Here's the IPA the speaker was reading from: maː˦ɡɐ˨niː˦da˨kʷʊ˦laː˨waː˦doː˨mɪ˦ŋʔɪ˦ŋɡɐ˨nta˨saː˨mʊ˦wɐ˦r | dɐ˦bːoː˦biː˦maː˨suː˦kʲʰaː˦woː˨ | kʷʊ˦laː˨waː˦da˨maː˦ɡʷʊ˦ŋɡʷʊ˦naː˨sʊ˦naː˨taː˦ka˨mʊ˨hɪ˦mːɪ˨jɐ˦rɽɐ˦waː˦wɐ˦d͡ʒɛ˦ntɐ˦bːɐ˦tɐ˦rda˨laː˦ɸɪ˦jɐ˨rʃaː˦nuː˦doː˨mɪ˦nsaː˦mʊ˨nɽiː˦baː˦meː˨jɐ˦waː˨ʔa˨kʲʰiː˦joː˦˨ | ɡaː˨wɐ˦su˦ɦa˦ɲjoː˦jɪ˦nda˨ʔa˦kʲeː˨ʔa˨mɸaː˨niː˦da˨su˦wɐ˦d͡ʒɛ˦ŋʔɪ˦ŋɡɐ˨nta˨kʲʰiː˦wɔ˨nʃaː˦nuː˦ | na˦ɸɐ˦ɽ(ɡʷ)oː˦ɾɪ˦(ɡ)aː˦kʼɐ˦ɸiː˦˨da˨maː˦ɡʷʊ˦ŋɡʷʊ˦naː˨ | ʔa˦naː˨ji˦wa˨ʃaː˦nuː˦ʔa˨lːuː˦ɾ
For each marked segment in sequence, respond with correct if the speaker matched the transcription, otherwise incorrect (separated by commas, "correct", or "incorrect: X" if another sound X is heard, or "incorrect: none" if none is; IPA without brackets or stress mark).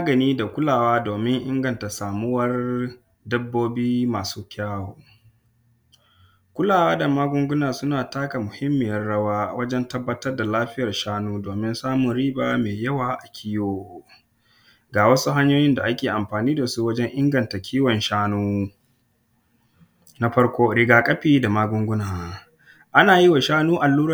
incorrect: kʷ, correct